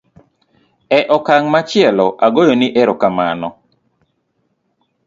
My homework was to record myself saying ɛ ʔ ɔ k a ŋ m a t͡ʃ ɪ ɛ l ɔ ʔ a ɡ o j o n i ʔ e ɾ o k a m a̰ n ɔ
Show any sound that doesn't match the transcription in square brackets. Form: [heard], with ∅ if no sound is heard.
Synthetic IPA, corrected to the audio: ɛ ʔ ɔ k a ŋ m a t͡ʃ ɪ ɛ l ɔ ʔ a ɡ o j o n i ʔ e ɾ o k a m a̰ n ɔ